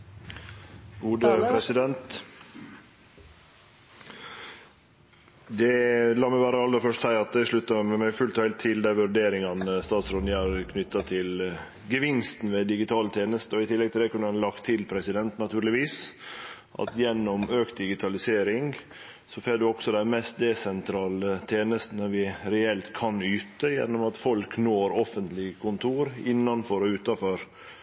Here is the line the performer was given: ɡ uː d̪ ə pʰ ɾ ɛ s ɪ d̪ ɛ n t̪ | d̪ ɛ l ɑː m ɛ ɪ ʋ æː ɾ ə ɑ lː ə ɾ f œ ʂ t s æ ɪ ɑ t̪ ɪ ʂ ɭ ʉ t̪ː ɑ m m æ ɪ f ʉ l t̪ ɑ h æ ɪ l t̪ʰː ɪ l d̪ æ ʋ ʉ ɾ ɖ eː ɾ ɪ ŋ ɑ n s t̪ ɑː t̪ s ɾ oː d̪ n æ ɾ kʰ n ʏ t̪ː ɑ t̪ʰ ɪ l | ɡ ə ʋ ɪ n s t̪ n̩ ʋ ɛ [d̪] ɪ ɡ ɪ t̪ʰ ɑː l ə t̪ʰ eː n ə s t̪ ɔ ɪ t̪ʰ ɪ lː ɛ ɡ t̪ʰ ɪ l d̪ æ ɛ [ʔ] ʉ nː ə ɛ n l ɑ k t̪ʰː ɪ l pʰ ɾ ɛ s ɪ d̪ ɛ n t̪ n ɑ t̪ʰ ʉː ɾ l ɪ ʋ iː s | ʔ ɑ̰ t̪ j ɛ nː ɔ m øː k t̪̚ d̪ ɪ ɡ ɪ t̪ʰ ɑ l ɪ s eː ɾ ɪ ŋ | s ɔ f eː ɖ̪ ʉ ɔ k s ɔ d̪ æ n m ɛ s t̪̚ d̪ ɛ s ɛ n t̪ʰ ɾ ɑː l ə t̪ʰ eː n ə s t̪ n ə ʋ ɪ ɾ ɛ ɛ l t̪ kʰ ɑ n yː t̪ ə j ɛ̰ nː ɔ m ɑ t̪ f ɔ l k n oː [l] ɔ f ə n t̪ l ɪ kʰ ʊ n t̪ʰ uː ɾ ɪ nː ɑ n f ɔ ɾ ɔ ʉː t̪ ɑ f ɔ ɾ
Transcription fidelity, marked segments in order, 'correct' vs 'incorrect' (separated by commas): correct, incorrect, incorrect